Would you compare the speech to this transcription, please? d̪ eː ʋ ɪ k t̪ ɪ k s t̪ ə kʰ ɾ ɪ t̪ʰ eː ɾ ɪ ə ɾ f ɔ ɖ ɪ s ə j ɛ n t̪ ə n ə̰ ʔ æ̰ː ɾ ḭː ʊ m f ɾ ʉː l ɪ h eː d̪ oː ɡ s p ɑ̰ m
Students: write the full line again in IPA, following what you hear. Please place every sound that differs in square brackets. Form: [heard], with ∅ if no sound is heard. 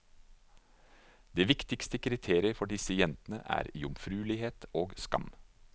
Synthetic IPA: d̪ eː ʋ ɪ k t̪ ɪ k s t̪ ə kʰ ɾ ɪ t̪ʰ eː ɾ ɪ ə ɾ f ɔ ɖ ɪ s ə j ɛ n t̪ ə n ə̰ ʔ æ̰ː ɾ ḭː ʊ m f ɾ ʉː l ɪ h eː [t̪] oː ɡ s [k] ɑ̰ m